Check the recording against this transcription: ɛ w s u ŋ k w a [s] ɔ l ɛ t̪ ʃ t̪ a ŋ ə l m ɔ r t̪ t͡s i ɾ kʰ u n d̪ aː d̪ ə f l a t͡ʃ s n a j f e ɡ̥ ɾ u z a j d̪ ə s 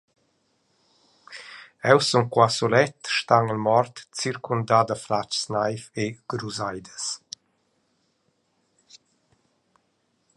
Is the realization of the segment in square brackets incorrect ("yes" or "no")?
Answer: no